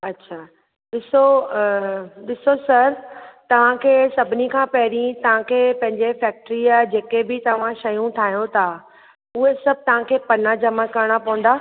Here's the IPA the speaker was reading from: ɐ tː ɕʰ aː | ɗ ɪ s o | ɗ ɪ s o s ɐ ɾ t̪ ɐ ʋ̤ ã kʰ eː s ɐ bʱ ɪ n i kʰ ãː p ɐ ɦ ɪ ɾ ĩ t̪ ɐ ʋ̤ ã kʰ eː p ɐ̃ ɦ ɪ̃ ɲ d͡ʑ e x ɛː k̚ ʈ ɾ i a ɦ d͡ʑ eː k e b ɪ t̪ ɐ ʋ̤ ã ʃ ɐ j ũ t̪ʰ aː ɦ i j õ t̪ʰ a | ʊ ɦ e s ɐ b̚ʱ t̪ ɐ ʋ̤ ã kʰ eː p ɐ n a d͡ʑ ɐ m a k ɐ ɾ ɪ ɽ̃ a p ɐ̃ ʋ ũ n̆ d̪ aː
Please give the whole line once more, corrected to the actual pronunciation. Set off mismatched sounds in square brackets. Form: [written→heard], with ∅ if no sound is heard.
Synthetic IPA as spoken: ɐ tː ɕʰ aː | ɗ ɪ s o | ɗ ɪ s o s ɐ ɾ t̪ ɐ ʋ̤ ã kʰ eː s ɐ bʱ ɪ n i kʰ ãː p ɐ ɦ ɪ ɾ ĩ t̪ ɐ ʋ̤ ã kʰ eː p ɐ̃ ɦ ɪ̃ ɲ d͡ʑ e [x→f] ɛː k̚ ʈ ɾ i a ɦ d͡ʑ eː k e b ɪ t̪ ɐ ʋ̤ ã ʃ ɐ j ũ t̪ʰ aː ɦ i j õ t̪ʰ a | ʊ ɦ e s ɐ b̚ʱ t̪ ɐ ʋ̤ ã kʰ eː p ɐ n a d͡ʑ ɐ m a k ɐ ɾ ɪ ɽ̃ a p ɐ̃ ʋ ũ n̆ d̪ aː